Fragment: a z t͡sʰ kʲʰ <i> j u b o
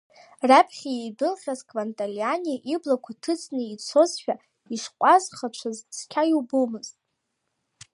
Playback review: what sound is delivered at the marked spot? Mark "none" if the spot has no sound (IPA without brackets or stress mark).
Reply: a